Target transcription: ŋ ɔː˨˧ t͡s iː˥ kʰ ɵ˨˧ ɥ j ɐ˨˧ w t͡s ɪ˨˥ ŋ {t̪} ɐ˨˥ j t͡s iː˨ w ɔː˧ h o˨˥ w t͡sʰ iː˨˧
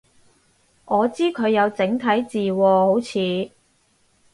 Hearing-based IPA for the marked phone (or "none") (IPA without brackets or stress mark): t̪ʰ